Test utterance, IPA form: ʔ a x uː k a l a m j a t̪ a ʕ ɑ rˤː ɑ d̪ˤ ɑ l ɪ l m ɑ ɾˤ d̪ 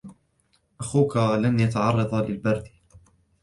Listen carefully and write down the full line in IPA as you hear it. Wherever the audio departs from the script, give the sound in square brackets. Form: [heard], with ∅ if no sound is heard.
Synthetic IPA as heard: ʔ a x uː k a l a [n] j a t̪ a ʕ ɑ rˤː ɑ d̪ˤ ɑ l ɪ l [b] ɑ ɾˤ d̪

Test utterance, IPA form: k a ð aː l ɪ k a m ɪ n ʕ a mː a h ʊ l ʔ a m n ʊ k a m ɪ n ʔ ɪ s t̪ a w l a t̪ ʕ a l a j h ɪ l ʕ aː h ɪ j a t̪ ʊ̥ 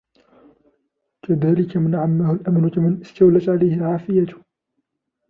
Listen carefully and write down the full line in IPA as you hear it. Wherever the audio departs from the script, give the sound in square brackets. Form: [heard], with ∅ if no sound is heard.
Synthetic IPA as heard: k a ð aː l ɪ k a m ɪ n ʕ a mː a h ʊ l ʔ a m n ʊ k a m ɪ n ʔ ɪ s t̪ a w l a t̪ ʕ a l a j h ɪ l ʕ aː [f] ɪ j a t̪ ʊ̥

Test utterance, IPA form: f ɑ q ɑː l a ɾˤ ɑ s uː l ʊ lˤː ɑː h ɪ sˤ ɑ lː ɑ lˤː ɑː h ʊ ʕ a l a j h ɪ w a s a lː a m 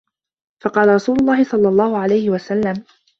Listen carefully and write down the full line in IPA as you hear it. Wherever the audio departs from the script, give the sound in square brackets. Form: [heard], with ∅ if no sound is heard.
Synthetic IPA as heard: f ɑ q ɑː l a ɾˤ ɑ s uː l ʊ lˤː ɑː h ɪ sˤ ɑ lː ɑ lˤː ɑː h ʊ ʕ a l a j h ɪ w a s a lː a m

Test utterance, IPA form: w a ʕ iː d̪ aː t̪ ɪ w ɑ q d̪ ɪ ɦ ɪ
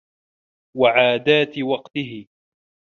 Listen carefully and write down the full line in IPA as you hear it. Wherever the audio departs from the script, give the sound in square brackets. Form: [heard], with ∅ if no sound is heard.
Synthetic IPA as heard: w a ʕ [aː] d̪ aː t̪ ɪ w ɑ q [t̪] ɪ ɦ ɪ

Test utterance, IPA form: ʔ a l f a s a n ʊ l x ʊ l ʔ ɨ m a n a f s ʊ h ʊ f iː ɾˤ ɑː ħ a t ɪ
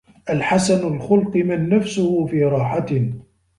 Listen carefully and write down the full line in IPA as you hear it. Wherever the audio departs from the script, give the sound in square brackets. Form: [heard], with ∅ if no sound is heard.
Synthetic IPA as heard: ʔ a l [ħ] a s a n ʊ l x ʊ l [q] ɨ m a [nː] a f s ʊ h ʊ f iː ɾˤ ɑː ħ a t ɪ

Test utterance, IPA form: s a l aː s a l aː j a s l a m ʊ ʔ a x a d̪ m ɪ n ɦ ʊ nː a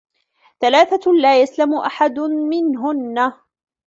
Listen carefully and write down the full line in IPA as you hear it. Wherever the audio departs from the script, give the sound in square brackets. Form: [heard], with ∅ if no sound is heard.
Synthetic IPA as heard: [θ] a l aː [θ] a l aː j a s l a m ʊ ʔ a [ħ] a d̪ m ɪ n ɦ ʊ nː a

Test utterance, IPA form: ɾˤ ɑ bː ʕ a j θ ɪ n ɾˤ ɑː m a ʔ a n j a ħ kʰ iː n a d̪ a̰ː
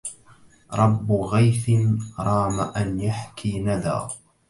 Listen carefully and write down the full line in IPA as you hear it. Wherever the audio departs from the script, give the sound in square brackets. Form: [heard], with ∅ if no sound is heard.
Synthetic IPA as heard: ɾˤ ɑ bː [ɣ] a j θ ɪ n ɾˤ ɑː m a ʔ a n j a ħ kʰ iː n a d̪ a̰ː

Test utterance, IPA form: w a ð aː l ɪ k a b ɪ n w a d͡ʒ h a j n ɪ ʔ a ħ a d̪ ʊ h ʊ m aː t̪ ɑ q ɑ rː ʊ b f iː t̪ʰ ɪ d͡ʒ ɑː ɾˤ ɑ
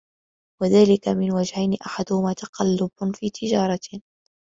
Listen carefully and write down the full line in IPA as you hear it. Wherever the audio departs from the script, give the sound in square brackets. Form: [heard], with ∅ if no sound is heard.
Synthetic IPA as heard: w a ð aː l ɪ k a [m] ɪ n w a d͡ʒ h a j n ɪ ʔ a ħ a d̪ ʊ h ʊ m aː t̪ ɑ q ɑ [lː] ʊ b f iː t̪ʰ ɪ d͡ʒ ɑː ɾˤ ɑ

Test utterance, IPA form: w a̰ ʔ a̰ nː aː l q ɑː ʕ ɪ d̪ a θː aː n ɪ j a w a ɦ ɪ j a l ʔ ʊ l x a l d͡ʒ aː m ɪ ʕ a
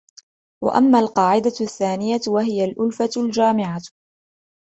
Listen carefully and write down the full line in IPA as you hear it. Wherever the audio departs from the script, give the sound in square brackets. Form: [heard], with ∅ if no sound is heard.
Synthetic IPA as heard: w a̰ ʔ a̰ [mː] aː l q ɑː ʕ ɪ d̪ a θː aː n ɪ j a w a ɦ ɪ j a l ʔ ʊ l [f] a l d͡ʒ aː m ɪ ʕ a

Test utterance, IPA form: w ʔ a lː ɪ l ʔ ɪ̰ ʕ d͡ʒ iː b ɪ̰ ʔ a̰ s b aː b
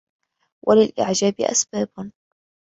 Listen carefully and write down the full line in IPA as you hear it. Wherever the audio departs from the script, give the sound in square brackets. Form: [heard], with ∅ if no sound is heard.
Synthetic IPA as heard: w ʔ a [l] ɪ l ʔ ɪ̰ ʕ d͡ʒ [aː] b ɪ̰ ʔ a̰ s b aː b

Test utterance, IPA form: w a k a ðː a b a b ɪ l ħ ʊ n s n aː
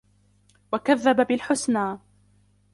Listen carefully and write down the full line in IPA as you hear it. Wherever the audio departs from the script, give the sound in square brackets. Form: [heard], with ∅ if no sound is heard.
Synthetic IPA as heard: w a k a ðː a b a b ɪ l ħ ʊ [∅] s n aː

